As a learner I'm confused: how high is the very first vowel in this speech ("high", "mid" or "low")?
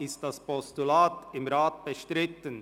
high